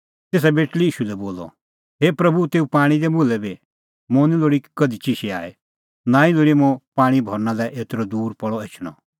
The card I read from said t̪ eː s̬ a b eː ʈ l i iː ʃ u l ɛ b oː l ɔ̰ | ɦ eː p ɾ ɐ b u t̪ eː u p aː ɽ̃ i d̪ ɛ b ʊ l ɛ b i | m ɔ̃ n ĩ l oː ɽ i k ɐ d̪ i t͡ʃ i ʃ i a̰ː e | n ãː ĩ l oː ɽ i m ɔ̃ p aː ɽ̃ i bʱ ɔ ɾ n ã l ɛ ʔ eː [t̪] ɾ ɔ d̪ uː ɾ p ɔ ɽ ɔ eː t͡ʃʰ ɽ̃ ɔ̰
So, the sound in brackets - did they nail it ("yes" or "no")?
yes